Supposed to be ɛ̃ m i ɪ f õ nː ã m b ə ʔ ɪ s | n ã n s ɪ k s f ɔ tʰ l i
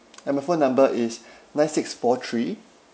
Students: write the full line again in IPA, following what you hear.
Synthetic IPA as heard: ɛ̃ m a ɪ f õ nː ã m b ə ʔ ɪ s | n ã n s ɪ k s f ɔ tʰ ɹ i